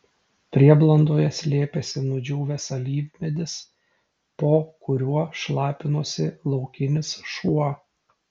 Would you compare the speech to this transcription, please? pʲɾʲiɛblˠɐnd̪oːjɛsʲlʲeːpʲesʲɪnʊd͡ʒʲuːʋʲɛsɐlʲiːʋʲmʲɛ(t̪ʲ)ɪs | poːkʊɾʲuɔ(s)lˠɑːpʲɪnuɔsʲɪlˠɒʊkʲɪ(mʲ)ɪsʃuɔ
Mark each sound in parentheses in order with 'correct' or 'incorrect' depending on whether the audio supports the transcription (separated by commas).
incorrect, incorrect, incorrect